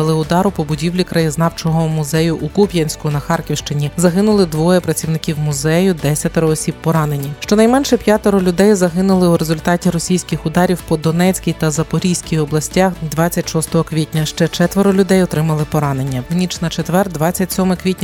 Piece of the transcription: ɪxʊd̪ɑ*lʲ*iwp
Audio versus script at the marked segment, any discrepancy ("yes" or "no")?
yes